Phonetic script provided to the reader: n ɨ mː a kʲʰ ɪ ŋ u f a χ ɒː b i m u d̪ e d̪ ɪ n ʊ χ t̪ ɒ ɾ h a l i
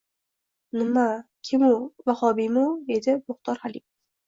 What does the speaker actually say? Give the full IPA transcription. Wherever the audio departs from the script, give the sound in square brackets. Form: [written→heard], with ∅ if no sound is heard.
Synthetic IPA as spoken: n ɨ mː a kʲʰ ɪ [ŋ→m] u [f→v] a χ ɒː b i m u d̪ e d̪ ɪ [n→m] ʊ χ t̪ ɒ ɾ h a l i